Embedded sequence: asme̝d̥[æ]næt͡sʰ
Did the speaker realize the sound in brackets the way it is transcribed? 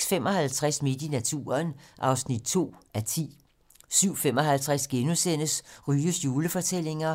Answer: no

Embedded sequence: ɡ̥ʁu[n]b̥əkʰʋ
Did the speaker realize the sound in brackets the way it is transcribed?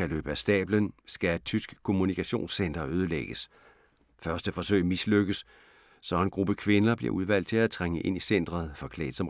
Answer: no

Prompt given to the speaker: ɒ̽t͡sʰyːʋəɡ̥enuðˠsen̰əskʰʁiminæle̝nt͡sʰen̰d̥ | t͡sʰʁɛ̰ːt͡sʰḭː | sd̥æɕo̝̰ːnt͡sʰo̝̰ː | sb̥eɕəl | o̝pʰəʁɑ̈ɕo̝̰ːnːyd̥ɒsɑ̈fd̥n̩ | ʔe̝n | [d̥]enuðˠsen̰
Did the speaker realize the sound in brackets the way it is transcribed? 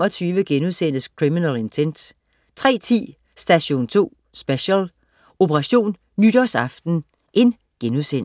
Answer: no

